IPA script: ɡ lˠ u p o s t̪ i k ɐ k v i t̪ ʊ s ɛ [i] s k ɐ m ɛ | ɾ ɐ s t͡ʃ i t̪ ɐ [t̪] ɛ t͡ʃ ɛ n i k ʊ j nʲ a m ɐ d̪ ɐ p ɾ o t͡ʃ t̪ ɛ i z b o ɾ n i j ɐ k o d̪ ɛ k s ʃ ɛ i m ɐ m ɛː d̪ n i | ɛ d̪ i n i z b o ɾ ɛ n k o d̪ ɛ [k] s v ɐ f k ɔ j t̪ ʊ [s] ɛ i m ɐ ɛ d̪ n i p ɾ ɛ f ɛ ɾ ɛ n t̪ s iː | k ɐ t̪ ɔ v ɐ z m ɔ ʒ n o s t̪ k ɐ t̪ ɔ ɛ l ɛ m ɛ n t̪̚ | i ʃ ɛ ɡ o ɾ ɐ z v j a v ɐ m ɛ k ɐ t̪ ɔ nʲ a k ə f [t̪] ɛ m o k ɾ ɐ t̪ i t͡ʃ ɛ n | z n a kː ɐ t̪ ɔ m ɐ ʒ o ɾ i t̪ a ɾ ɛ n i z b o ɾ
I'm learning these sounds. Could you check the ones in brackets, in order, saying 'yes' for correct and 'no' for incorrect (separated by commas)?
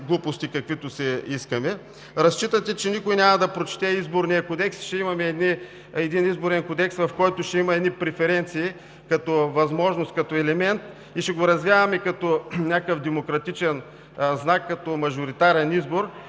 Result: yes, yes, yes, no, no